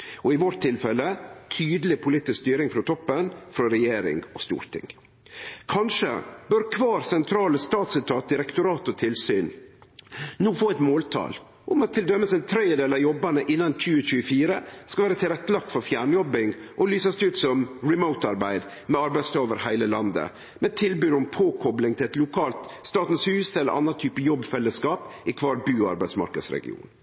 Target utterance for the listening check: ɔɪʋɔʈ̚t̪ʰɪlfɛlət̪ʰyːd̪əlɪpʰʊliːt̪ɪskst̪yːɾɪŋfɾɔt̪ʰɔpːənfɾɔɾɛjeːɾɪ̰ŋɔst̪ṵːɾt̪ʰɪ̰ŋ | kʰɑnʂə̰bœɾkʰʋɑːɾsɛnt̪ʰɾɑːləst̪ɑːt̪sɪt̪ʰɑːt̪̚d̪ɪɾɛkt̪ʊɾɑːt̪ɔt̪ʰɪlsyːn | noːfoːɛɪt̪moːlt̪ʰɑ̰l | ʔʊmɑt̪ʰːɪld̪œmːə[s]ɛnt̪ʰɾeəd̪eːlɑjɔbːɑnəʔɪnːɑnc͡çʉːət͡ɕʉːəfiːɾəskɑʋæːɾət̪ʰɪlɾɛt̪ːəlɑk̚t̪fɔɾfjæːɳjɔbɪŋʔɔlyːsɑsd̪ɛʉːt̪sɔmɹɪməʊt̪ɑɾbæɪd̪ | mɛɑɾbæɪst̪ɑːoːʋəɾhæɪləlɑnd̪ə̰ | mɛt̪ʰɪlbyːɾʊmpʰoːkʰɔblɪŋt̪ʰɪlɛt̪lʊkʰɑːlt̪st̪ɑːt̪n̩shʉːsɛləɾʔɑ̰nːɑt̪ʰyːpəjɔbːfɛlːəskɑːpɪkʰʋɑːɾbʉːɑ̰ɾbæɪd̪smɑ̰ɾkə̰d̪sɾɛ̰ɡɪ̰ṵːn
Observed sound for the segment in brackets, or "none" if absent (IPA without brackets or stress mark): s